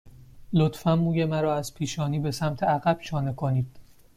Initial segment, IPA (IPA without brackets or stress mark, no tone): l